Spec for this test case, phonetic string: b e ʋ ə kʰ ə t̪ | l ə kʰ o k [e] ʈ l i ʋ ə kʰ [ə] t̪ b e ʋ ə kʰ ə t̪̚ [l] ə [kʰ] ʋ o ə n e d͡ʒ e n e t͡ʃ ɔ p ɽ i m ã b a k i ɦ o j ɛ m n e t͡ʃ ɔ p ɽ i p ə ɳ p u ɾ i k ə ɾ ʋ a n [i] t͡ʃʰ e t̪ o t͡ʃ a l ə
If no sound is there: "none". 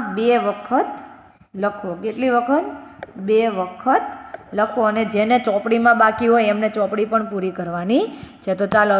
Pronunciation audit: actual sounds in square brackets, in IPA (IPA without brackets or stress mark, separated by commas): e, ə, l, kʰ, i